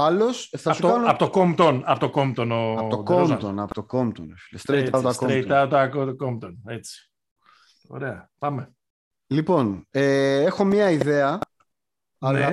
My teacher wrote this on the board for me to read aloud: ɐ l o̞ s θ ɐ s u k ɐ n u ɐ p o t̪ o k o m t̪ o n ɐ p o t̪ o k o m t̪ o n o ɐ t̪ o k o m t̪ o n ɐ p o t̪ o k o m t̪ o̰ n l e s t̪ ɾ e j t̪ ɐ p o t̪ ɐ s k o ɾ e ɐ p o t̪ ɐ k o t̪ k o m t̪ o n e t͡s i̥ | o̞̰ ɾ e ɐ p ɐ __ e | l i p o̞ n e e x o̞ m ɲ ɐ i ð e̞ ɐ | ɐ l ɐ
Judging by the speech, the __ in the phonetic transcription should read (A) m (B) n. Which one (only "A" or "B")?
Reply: A